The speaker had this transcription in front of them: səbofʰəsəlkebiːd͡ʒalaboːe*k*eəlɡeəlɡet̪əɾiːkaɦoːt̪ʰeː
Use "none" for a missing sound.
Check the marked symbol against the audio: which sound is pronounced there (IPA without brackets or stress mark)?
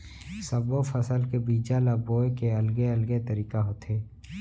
k